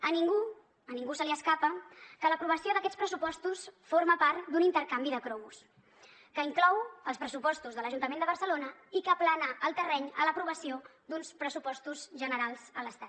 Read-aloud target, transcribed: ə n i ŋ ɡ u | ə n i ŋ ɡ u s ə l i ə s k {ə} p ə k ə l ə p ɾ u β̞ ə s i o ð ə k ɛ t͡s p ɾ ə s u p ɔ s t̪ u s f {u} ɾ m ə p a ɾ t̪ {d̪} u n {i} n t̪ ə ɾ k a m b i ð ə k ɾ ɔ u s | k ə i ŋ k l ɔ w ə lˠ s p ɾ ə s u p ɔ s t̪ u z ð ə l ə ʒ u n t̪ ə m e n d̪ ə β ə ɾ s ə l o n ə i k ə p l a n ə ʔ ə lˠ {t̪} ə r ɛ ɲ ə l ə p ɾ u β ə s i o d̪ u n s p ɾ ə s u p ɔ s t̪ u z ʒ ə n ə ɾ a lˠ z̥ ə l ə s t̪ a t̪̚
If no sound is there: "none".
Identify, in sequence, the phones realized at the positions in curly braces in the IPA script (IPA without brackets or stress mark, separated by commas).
a, o, d̪, i, t̪